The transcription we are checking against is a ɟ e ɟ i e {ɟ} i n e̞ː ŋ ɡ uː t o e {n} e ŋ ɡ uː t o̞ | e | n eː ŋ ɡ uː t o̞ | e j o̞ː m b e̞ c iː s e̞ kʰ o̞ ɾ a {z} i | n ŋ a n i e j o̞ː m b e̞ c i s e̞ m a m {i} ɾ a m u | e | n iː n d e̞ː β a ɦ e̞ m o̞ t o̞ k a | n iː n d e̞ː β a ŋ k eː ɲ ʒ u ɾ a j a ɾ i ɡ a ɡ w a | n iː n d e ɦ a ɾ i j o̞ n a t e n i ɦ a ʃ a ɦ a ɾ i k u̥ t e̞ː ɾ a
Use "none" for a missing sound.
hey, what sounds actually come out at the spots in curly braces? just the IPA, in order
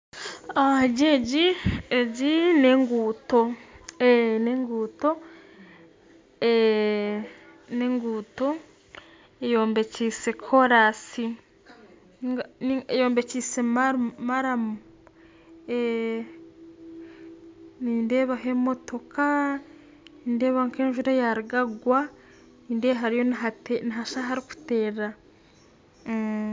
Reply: ɟ, n, s, a

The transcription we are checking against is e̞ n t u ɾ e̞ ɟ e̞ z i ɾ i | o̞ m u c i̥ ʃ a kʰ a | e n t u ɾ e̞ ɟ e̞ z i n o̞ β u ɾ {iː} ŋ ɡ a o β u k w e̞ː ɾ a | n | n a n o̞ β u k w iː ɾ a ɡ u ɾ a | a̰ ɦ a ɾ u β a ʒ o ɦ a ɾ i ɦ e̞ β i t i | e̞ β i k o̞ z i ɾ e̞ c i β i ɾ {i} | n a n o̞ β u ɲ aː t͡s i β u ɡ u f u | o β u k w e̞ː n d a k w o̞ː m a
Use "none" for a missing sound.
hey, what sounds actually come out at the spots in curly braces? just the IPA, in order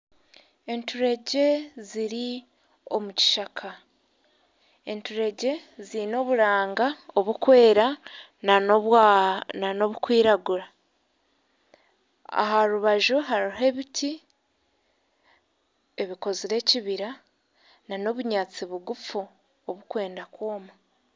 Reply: aː, a

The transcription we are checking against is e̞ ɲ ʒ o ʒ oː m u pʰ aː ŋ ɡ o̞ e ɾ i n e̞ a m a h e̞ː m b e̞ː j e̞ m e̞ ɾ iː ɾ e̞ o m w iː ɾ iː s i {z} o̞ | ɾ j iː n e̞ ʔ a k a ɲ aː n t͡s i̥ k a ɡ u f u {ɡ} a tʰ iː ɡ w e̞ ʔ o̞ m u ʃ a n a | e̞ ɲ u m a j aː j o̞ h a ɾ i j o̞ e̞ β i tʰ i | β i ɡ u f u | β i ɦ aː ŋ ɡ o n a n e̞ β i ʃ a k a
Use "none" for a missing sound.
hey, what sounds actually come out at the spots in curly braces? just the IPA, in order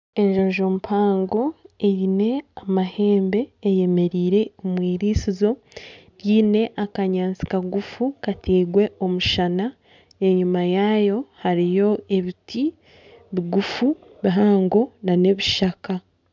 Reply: z, k

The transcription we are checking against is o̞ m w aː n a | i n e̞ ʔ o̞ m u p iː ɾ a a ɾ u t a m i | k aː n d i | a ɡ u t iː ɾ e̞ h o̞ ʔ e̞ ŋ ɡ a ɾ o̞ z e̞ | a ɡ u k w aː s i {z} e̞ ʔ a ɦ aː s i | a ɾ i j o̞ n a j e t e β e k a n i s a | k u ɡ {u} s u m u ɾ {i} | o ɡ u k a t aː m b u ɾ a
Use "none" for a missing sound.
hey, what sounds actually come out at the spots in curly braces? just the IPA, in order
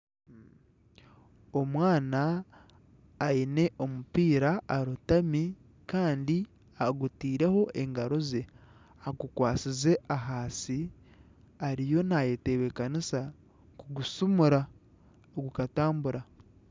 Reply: z, u, a

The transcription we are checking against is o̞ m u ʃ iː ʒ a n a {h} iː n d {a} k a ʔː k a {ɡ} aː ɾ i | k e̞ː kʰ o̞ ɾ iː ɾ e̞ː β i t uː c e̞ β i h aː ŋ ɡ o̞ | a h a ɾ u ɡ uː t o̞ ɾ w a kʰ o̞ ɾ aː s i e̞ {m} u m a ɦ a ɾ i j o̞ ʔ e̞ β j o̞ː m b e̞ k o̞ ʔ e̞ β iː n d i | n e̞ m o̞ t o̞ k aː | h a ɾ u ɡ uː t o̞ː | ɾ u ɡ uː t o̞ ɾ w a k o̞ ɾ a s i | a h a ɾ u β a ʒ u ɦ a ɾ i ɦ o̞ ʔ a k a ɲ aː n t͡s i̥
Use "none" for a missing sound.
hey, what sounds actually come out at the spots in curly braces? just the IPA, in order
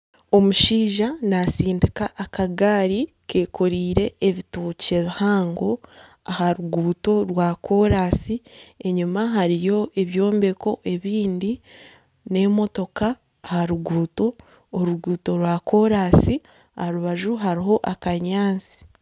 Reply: s, i, ɡ, ɲ

